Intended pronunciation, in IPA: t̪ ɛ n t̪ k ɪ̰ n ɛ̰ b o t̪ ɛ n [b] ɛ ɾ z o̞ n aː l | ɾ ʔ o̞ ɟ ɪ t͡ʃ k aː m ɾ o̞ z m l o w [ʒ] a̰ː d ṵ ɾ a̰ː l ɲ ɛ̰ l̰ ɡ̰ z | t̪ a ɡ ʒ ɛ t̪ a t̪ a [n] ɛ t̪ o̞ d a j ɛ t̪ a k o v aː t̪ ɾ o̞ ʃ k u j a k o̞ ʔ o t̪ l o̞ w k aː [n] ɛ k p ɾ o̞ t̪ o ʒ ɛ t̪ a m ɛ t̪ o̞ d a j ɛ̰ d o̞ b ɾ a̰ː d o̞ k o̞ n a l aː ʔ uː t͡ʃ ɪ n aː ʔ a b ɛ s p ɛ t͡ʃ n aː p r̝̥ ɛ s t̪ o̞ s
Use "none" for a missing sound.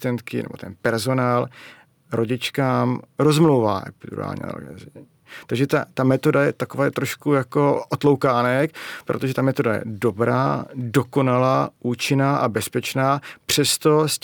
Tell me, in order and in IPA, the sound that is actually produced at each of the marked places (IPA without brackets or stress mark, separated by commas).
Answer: p, v, m, n